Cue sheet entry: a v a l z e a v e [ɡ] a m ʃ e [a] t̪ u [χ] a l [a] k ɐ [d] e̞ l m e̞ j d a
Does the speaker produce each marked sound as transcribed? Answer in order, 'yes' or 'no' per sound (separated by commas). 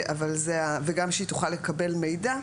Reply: yes, no, yes, no, no